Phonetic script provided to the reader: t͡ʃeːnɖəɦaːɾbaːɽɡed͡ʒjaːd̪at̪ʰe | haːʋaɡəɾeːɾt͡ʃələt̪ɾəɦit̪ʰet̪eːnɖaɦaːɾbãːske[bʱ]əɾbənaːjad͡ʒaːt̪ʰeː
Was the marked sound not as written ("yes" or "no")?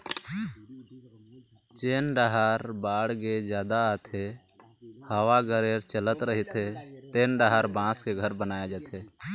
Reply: yes